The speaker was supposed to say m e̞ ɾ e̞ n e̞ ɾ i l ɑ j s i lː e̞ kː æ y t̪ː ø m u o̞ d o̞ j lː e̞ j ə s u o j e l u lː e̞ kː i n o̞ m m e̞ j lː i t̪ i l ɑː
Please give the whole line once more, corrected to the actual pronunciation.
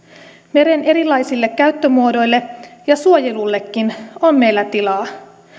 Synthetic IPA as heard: m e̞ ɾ e̞ n e̞ ɾ i l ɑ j s i lː e̞ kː æ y t̪ː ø m u o̞ d o̞ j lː e̞ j ɑ s u o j e l u lː e̞ kː i n o̞ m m e̞ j lː æ t̪ i l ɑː